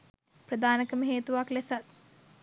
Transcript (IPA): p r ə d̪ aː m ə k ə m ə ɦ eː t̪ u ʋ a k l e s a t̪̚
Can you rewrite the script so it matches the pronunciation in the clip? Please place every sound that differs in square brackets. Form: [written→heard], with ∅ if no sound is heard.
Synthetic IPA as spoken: p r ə d̪ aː [m→n] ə k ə m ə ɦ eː t̪ u ʋ a k l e s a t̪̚